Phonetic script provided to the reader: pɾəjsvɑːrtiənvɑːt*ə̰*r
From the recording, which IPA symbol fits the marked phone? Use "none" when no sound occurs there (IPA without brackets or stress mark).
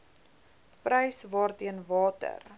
ə̰